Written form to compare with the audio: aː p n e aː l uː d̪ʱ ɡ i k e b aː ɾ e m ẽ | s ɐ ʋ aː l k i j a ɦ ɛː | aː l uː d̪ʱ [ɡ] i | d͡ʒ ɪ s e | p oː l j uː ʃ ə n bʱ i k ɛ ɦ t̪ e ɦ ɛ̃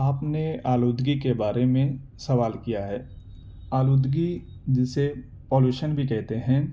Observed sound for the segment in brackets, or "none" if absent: ɡ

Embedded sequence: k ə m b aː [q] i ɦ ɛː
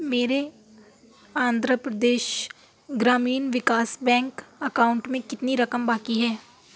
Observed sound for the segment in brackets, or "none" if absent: k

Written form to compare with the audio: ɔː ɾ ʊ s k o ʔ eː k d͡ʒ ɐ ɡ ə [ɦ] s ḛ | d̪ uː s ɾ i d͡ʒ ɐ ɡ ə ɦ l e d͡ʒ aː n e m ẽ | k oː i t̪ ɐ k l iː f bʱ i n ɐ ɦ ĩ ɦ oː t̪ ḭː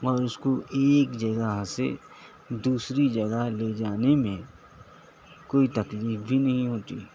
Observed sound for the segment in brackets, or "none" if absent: ɦ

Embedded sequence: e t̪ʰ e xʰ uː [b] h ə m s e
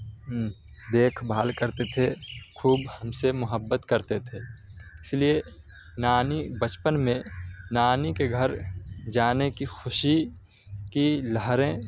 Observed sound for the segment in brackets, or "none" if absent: b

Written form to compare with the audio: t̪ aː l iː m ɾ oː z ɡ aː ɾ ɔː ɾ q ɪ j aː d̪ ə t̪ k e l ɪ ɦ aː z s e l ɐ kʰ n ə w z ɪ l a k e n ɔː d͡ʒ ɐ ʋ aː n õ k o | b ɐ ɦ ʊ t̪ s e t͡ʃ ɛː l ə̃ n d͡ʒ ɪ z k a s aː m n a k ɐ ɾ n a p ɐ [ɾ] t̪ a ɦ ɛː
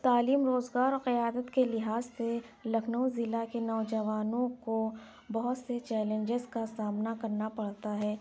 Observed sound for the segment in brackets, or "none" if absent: ɽ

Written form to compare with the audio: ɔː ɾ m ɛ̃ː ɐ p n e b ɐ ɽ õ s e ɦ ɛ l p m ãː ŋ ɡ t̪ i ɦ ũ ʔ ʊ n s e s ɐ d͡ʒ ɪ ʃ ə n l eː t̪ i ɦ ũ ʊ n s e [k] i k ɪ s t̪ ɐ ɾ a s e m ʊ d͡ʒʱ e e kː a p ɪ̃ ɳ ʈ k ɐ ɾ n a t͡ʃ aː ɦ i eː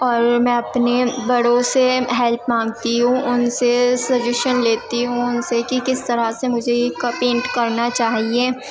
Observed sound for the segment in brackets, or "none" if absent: k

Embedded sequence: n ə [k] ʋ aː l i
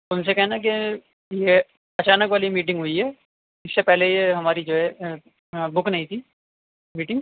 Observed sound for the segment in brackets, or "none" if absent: k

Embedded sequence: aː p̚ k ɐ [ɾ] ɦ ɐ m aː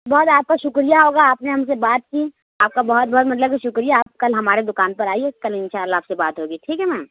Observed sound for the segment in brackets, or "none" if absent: l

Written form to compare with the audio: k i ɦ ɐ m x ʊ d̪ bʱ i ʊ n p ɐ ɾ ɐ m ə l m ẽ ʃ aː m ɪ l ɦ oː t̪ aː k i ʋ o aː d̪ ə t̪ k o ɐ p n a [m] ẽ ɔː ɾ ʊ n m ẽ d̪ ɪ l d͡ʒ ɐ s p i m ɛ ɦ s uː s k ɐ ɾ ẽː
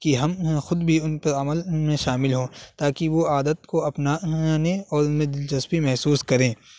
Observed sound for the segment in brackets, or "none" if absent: n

